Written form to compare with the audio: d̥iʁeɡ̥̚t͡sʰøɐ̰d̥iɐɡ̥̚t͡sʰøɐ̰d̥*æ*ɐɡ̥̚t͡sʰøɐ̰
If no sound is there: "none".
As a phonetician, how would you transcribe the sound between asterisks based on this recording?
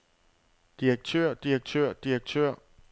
i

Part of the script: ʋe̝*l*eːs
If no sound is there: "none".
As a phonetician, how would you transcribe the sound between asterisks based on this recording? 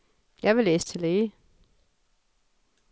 l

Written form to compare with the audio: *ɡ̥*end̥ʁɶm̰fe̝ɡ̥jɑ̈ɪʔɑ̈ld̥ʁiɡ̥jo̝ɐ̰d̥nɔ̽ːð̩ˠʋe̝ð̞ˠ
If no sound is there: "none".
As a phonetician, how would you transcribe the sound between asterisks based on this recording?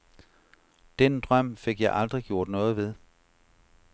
d̥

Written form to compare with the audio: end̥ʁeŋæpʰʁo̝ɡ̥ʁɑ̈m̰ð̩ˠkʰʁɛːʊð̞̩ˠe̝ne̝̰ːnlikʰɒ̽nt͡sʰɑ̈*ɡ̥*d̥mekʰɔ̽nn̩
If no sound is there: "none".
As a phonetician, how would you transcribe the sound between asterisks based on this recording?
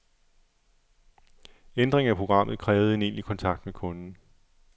ɡ̥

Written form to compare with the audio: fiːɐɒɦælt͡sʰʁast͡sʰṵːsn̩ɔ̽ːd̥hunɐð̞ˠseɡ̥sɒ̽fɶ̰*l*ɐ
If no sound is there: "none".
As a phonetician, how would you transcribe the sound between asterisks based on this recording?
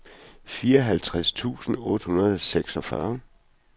none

